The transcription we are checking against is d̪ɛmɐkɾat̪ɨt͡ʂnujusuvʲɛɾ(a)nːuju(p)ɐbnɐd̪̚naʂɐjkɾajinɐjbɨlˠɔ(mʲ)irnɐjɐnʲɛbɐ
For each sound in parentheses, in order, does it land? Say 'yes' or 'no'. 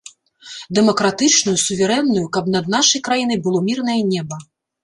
no, no, yes

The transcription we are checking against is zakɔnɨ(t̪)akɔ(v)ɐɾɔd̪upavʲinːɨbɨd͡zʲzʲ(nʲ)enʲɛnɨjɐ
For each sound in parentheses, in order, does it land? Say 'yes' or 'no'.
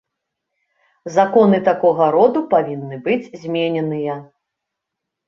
yes, no, no

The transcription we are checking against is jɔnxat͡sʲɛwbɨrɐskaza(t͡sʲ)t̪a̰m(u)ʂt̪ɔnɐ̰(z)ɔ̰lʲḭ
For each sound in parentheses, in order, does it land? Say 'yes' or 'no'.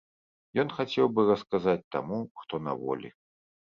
yes, yes, no

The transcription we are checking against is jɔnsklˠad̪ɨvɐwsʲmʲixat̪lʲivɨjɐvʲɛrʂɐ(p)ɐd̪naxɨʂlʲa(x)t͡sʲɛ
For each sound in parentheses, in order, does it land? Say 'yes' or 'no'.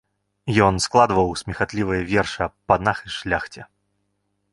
yes, yes

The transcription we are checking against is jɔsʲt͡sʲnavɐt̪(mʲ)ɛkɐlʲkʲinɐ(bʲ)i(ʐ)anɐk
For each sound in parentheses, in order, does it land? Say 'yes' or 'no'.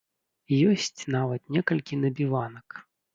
no, yes, no

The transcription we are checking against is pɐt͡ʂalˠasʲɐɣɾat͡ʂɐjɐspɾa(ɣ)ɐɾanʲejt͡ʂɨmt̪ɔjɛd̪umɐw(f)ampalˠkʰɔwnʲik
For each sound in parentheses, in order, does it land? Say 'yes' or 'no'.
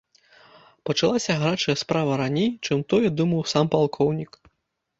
no, no

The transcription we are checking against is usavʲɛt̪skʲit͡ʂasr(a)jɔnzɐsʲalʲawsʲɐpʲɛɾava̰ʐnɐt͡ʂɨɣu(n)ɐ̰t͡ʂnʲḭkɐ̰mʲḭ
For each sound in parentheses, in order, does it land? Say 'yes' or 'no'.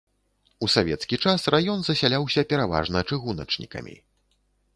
yes, yes

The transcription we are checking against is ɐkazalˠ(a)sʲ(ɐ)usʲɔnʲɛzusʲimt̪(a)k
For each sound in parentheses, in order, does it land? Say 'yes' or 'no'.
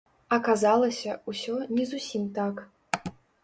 no, yes, yes

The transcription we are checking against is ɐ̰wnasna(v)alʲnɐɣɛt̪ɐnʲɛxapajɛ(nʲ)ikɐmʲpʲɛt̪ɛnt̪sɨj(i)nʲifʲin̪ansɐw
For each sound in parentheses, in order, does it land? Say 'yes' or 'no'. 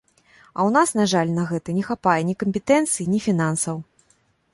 no, yes, yes

